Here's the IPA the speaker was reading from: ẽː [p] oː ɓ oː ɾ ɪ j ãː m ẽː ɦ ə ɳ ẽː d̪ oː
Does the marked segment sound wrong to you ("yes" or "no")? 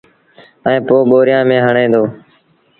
no